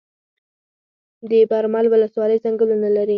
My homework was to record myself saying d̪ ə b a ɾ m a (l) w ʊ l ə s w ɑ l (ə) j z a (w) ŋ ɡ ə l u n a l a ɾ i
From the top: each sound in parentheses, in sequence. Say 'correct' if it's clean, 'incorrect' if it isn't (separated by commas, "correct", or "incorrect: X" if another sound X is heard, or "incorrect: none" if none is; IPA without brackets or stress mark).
correct, correct, incorrect: none